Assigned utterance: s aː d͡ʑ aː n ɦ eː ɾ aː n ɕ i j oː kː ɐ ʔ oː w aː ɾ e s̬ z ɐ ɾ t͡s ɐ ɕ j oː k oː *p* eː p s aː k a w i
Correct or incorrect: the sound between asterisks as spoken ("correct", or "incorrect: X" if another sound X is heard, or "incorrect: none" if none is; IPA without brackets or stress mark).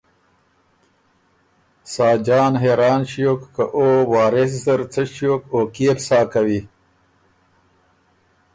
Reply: incorrect: k